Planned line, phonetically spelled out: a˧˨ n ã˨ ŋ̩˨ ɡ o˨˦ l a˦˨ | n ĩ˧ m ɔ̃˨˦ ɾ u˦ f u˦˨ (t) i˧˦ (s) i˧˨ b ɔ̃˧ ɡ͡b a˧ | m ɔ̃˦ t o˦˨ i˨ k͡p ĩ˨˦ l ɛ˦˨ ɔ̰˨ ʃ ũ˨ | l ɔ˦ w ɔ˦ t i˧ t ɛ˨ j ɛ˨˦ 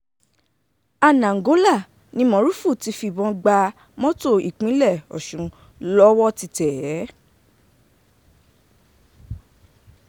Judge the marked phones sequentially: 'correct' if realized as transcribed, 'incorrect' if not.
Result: correct, incorrect

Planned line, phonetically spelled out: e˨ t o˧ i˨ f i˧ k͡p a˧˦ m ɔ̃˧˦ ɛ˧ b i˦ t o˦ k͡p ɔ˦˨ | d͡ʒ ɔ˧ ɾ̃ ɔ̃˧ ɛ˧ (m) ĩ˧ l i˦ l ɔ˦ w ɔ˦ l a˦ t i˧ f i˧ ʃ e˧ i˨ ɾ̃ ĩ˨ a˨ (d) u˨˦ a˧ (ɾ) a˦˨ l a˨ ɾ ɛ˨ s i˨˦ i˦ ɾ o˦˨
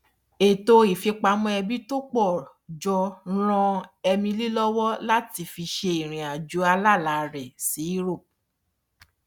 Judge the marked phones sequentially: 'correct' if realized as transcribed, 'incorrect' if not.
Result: correct, incorrect, incorrect

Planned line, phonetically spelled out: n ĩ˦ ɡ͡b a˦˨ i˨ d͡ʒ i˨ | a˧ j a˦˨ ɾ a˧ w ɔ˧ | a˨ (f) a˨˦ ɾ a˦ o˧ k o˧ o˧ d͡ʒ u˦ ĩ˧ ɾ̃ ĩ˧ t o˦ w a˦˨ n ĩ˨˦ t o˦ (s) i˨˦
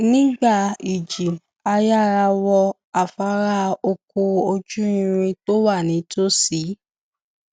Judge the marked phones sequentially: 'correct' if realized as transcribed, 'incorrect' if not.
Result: correct, correct

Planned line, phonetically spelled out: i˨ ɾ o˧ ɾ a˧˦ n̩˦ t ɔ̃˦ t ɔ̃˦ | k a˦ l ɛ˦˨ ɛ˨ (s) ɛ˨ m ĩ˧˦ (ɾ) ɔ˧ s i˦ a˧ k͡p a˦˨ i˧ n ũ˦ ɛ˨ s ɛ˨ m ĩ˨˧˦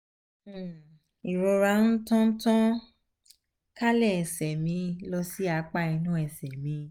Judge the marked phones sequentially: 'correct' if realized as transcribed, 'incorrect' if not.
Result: correct, incorrect

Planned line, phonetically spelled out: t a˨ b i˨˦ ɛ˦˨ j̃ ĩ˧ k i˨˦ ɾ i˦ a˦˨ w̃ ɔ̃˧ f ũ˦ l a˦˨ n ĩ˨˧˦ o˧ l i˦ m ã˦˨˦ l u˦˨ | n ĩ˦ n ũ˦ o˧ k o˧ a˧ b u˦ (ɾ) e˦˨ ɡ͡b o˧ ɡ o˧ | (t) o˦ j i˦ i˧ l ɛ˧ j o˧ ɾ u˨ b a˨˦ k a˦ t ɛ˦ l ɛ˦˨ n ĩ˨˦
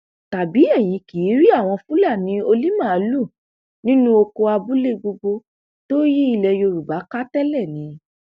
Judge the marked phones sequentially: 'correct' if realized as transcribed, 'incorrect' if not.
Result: incorrect, correct

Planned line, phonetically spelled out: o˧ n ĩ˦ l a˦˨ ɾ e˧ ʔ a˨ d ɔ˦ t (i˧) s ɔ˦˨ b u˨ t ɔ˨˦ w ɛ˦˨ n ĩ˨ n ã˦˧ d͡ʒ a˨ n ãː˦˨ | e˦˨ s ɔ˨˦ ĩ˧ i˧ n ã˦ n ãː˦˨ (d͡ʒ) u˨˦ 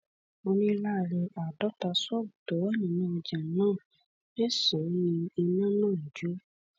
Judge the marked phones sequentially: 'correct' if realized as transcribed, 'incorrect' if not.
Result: incorrect, correct

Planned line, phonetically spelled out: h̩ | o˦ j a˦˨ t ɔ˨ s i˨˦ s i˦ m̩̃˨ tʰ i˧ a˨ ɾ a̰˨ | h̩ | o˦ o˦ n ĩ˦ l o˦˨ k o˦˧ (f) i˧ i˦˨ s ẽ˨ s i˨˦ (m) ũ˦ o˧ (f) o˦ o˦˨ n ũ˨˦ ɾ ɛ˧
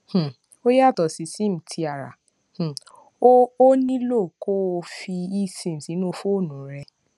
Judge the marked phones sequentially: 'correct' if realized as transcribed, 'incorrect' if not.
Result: correct, incorrect, correct

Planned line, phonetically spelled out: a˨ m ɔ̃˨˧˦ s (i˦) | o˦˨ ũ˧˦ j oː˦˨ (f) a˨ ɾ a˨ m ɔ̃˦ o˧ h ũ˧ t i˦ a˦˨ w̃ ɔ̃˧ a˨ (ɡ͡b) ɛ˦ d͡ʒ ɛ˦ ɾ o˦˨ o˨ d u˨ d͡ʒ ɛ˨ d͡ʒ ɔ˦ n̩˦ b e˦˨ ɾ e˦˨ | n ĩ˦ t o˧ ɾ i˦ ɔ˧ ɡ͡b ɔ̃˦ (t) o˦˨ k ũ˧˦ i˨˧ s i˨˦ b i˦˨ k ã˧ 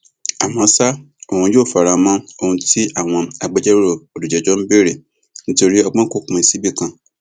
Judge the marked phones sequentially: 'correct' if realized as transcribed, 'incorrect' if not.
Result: incorrect, correct, correct, incorrect

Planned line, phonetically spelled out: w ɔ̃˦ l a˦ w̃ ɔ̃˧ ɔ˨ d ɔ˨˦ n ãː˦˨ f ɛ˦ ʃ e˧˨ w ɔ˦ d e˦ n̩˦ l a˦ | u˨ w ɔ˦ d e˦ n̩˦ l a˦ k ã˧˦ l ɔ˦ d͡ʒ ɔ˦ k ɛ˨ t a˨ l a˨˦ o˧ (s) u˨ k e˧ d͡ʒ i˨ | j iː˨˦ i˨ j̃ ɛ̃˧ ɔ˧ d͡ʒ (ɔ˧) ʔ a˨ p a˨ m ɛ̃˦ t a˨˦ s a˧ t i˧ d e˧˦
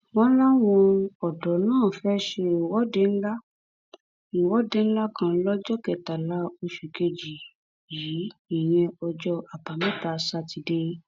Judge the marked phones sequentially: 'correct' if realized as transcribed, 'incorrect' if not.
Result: incorrect, correct

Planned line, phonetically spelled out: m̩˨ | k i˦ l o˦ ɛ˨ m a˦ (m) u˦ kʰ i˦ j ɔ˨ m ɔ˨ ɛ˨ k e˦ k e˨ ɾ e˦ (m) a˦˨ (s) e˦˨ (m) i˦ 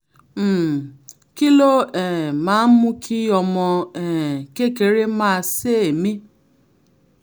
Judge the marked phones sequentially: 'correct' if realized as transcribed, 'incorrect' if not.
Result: correct, correct, correct, correct

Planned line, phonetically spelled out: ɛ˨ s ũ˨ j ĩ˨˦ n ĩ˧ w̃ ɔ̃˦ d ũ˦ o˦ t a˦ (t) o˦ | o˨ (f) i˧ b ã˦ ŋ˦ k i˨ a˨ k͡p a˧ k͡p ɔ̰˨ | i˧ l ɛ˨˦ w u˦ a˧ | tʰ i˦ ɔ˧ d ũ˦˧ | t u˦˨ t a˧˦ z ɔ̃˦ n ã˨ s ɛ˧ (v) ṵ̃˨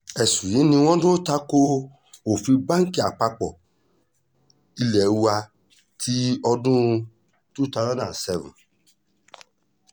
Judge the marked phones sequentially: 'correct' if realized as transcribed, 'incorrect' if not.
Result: incorrect, correct, correct

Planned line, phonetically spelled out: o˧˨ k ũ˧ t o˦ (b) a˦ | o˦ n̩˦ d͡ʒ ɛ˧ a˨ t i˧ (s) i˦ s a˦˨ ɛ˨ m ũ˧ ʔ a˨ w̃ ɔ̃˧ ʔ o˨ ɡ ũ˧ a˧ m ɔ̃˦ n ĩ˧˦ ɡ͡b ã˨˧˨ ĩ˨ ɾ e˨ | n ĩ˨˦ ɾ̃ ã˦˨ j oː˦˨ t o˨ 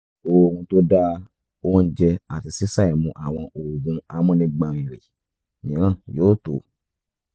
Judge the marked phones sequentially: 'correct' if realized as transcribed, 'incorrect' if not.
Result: incorrect, correct

